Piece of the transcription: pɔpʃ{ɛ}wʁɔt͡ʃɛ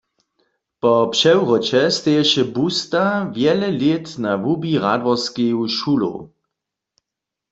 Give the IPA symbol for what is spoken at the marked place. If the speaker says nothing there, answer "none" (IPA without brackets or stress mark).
ɛ